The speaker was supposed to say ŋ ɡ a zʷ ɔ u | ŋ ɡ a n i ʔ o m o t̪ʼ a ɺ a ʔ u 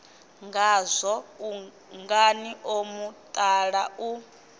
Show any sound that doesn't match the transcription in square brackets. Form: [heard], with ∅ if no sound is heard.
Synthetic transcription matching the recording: ŋ ɡ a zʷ ɔ u | ŋ ɡ a n i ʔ o m [u] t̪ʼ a ɺ a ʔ u

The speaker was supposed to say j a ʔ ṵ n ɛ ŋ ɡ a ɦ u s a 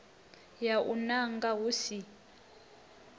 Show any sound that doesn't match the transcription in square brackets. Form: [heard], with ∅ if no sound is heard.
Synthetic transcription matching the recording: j a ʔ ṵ n [a] ŋ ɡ a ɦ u s [i]

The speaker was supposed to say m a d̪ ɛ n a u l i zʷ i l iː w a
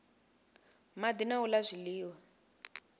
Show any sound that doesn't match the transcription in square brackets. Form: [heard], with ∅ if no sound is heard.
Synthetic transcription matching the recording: m a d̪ [i] n a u l [a] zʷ i l iː w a

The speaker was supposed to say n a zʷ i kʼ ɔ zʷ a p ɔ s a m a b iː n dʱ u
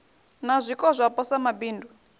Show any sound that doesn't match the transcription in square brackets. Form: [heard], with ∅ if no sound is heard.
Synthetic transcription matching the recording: n a zʷ i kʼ ɔ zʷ a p ɔ s a m a b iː n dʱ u

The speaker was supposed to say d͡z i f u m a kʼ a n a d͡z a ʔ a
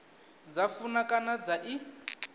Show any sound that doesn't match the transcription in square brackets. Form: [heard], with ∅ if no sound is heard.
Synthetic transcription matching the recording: d͡z [a] f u [n] a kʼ a n a d͡z a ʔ [i]

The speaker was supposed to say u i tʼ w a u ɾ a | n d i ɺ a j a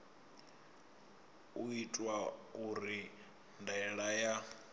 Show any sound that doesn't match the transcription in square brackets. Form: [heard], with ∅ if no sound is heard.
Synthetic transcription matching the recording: u i tʼ w a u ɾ [i] | n d [ɛ] ɺ a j a

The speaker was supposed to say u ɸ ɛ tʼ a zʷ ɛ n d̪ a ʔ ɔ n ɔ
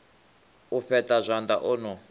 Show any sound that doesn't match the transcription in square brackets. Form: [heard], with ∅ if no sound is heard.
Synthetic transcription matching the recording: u ɸ ɛ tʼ a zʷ [a] n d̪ a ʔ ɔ n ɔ

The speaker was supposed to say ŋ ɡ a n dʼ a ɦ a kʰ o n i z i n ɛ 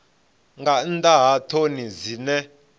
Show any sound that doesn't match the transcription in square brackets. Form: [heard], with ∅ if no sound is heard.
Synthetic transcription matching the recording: ŋ ɡ a n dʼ a ɦ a [tʰ] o n i z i n ɛ

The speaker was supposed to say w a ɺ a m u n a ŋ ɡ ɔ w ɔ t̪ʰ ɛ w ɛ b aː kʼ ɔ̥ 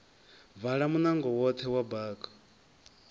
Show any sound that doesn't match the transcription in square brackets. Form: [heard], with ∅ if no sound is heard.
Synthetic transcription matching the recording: [v] a ɺ a m u n a ŋ ɡ ɔ w ɔ t̪ʰ ɛ w [a] b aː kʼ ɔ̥

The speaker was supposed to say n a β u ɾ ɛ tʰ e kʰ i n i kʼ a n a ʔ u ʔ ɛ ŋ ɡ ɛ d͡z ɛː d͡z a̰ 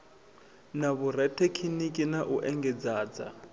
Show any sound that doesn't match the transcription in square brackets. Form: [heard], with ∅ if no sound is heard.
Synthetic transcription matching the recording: n a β u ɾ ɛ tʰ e kʰ i n i kʼ [i] n a ʔ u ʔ ɛ ŋ ɡ ɛ d͡z [aː] d͡z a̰

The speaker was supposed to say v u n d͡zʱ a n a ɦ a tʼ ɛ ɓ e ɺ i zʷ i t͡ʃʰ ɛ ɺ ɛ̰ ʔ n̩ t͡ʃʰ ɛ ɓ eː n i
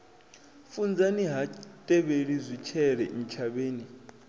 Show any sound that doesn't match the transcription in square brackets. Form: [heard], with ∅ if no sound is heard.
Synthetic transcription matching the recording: [f] u n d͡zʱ a n [i] ɦ a tʼ ɛ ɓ e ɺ i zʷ i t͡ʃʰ ɛ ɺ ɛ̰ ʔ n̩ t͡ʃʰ [a] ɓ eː n i

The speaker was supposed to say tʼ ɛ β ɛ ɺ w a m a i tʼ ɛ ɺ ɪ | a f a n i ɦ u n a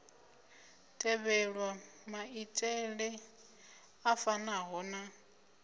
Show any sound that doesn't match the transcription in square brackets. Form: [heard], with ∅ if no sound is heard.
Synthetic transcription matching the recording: tʼ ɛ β ɛ ɺ w a m a i tʼ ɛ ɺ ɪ | a f a n [a] ɦ [ɔ] n a

